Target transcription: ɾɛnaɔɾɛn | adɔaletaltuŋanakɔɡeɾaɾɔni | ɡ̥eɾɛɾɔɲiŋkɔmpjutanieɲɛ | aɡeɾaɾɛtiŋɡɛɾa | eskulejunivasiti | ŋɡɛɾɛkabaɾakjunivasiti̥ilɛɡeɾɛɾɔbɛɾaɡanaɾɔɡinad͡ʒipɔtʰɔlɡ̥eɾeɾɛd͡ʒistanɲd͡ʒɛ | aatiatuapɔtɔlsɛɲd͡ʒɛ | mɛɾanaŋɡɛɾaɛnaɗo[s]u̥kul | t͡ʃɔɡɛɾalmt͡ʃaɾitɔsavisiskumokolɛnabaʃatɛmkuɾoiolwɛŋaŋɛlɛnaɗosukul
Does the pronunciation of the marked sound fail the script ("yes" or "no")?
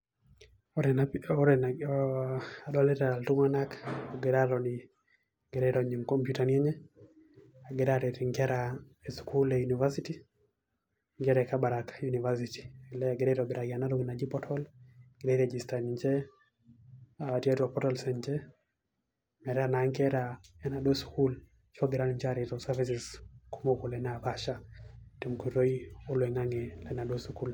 no